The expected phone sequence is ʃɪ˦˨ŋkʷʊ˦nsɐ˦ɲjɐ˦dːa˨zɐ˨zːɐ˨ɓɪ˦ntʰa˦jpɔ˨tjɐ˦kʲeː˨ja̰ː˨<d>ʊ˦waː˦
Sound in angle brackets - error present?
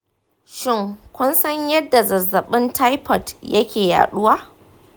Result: yes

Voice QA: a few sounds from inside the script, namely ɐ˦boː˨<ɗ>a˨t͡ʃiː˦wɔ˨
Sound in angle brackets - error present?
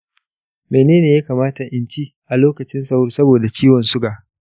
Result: yes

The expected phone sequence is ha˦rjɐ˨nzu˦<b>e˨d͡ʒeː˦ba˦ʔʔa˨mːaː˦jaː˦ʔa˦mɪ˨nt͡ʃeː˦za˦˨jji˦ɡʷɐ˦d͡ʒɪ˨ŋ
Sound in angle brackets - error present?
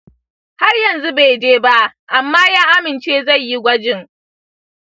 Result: no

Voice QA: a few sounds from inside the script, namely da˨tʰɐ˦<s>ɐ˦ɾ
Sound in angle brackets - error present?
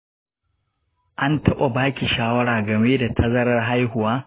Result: yes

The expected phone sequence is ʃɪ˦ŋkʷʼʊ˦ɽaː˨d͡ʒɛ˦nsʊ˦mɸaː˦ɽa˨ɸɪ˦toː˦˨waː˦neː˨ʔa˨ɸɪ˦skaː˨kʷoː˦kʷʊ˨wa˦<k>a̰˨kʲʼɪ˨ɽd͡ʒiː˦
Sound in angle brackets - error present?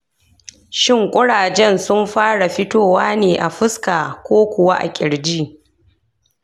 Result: yes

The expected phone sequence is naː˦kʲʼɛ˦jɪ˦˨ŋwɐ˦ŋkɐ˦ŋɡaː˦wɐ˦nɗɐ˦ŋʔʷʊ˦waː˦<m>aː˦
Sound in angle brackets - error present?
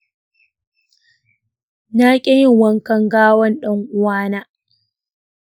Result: yes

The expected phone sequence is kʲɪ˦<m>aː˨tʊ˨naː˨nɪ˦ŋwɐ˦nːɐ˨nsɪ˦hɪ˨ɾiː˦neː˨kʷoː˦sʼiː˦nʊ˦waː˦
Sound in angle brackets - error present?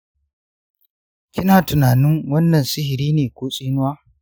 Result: yes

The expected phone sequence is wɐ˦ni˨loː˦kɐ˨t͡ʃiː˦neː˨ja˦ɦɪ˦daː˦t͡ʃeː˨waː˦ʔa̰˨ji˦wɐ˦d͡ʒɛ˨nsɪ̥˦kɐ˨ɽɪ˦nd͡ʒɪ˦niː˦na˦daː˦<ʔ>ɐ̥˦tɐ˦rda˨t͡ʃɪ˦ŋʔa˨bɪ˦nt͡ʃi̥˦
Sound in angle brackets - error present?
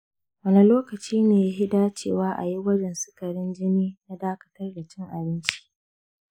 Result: yes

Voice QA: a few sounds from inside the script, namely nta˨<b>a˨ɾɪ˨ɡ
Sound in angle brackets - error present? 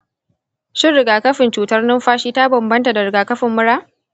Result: yes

